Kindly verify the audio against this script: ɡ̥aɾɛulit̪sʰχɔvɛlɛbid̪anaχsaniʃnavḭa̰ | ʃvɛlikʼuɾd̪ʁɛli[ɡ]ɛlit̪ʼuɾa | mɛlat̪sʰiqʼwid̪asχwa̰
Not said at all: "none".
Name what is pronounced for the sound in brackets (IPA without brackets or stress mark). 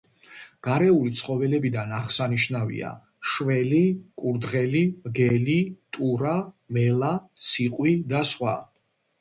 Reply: ɡ